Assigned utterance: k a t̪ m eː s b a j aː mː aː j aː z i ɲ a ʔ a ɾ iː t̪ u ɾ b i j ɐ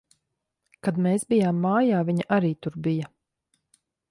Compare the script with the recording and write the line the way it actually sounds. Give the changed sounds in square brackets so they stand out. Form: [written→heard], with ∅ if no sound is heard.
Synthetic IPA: k a [t̪→d̪] m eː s b [a→i] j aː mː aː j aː [z→v] i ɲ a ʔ a ɾ iː t̪ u ɾ b i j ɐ